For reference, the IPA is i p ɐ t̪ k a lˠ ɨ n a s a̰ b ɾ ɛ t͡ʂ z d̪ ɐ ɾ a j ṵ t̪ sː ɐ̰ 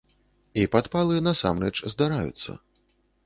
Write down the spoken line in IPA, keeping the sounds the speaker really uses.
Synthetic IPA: i p a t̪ p a lˠ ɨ n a s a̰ m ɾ ɛ t͡ʂ z d̪ a ɾ a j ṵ t̪ sː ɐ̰